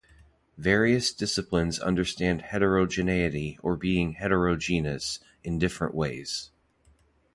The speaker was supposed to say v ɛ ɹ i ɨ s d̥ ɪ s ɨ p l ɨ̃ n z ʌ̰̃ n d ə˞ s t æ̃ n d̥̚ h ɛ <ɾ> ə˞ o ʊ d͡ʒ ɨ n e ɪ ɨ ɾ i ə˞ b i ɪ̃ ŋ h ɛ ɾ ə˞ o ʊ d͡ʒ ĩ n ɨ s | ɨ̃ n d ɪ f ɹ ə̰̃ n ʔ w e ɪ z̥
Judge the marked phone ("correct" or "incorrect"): correct